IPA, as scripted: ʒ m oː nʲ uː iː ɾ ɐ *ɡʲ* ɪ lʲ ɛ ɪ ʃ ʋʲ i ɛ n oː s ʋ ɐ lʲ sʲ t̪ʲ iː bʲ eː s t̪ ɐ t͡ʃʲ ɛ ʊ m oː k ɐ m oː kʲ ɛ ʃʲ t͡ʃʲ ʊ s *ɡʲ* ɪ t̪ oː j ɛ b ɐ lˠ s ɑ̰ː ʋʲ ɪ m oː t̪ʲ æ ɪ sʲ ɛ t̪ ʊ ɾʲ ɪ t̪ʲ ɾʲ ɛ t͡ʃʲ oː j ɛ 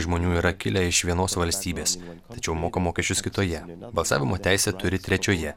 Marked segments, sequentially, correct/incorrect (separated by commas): incorrect, incorrect